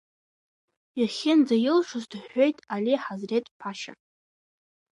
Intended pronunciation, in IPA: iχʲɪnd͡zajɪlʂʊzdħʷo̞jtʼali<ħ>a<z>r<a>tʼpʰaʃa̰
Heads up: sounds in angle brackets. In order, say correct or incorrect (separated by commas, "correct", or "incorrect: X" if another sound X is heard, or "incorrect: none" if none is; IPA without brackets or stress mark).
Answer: correct, correct, incorrect: e